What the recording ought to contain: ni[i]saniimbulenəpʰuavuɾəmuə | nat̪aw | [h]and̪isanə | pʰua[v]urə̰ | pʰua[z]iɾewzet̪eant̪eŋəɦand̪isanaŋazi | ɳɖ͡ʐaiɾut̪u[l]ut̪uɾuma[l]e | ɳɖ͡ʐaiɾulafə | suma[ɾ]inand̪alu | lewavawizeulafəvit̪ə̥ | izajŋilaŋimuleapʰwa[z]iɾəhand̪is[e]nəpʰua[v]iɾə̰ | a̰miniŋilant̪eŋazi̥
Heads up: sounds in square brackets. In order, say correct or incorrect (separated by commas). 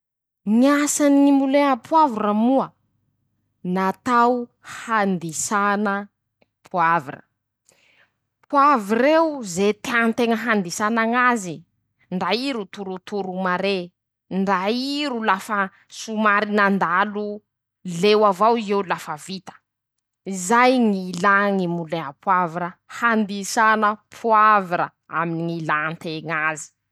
incorrect, correct, correct, incorrect, incorrect, incorrect, correct, incorrect, incorrect, correct